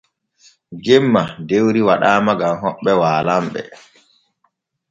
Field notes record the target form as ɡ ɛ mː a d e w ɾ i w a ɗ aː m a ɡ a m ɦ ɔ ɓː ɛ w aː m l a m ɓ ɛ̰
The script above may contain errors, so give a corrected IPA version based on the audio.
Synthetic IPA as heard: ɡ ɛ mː a d e w ɾ i w a ɗ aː m a ɡ a m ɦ ɔ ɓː ɛ w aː l a m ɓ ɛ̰